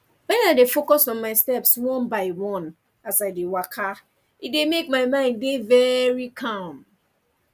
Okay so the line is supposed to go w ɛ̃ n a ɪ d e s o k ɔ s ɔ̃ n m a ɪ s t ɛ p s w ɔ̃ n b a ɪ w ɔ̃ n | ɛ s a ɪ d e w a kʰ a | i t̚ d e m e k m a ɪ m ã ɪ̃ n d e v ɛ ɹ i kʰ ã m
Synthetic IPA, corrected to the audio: w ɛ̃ n a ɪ d e f o k ɔ s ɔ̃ n m a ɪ s t ɛ p s w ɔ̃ n b a ɪ w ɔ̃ n | a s a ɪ d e w a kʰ a | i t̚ d e m e k m a ɪ m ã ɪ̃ n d e v ɛ ɹ i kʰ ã m